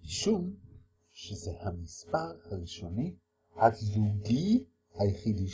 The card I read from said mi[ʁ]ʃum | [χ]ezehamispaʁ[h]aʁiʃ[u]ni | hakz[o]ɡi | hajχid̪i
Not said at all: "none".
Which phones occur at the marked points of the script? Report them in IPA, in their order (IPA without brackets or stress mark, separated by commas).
none, ʃ, h, o, u